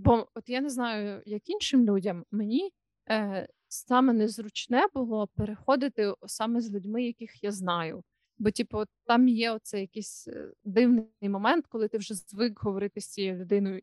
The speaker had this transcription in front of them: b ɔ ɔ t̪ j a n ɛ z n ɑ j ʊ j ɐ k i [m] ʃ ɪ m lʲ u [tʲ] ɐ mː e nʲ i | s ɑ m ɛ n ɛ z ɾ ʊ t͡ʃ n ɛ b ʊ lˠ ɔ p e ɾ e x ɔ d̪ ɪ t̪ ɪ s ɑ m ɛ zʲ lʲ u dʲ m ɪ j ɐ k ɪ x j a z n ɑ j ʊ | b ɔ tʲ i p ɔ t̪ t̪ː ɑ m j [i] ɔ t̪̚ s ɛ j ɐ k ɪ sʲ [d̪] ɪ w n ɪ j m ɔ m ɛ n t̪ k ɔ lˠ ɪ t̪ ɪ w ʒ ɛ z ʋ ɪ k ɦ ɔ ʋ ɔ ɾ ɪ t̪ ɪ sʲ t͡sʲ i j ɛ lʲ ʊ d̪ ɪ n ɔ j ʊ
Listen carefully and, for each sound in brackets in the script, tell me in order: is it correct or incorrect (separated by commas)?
incorrect, incorrect, incorrect, correct